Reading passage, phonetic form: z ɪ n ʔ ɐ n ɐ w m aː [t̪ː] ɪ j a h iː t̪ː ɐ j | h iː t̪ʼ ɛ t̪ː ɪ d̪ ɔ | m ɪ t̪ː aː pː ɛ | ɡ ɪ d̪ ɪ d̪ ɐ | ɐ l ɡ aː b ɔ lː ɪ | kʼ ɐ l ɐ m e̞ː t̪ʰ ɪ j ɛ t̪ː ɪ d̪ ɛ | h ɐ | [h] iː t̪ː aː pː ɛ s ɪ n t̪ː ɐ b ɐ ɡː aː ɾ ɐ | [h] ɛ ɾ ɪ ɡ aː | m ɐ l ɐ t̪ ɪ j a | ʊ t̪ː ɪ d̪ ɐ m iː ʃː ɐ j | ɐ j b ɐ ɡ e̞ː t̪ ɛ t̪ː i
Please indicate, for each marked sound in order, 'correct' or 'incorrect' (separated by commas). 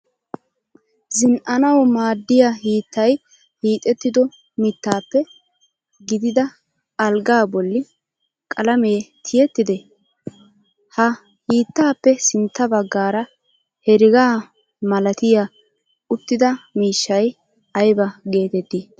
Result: incorrect, correct, correct